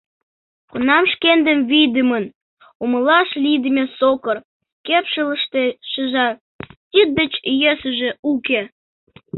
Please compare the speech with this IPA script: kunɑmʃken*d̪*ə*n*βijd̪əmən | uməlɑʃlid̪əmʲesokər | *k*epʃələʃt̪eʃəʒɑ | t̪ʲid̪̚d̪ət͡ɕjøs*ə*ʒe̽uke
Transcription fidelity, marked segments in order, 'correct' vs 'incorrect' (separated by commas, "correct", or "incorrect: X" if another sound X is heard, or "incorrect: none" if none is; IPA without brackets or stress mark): correct, incorrect: m, correct, correct